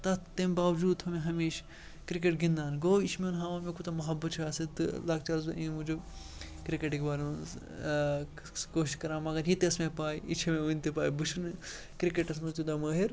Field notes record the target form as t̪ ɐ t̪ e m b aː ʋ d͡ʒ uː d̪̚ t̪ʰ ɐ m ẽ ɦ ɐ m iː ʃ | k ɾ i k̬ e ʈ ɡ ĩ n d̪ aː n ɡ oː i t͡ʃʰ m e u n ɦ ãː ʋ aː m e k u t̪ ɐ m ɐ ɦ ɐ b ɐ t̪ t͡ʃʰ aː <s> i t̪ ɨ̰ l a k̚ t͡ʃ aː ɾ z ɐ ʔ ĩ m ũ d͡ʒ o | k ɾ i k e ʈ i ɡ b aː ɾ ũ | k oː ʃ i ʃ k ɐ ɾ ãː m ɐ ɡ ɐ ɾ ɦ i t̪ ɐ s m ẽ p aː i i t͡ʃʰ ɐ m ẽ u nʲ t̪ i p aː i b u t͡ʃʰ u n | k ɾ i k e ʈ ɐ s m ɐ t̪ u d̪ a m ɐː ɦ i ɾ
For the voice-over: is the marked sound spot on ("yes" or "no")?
yes